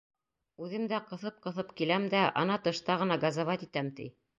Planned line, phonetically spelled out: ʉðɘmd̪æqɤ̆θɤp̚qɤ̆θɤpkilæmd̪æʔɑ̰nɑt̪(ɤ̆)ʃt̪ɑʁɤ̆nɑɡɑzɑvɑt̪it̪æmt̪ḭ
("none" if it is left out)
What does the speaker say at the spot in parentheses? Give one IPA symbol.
ɤ̆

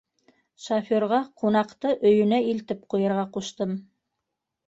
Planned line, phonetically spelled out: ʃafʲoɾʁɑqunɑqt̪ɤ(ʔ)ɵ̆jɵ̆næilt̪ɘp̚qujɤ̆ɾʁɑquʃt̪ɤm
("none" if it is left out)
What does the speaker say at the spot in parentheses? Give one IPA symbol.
ʔ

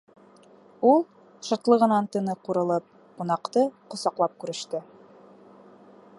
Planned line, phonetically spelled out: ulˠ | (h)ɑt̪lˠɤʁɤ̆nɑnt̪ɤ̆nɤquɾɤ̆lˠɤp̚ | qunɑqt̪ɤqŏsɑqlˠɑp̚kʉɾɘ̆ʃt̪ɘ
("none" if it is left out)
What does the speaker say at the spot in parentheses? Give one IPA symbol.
ʃ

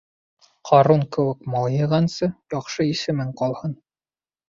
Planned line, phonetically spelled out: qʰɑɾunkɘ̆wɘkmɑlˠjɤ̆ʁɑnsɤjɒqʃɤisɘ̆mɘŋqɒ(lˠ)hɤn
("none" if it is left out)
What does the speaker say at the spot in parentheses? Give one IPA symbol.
lˠ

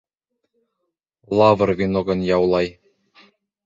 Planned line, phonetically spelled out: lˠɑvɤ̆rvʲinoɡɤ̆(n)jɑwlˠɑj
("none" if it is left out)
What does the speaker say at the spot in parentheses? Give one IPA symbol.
n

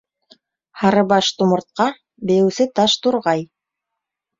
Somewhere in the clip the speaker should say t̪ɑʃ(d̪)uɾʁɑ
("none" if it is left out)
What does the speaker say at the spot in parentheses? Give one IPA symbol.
t̪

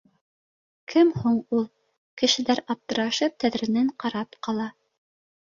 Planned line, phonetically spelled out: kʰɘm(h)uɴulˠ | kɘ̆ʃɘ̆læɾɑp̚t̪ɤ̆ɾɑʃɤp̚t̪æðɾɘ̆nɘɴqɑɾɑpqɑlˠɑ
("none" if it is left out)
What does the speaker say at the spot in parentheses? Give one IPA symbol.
h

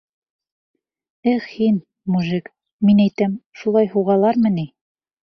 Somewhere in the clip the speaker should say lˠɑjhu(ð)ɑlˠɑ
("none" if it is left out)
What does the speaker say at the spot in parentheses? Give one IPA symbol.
ʁ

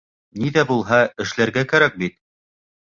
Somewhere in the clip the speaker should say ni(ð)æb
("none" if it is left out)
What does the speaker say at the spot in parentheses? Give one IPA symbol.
ð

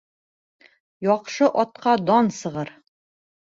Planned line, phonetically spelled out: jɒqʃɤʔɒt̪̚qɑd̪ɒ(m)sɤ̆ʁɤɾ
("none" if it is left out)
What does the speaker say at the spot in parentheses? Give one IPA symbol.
n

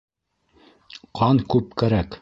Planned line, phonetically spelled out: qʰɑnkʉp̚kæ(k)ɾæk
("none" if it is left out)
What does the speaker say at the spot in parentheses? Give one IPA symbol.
none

